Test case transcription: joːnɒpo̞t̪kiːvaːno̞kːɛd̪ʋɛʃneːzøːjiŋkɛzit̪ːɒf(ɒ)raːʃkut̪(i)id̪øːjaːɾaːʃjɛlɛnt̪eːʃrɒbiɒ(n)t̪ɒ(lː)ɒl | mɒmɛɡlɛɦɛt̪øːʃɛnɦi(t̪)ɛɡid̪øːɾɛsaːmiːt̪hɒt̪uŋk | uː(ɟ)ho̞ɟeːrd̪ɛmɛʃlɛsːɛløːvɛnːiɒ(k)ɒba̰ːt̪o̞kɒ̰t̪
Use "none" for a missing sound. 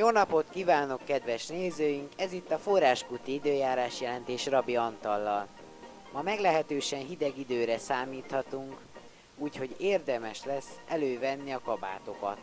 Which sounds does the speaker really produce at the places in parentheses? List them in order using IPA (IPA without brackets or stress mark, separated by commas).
o, i, n, lː, d̪, c, k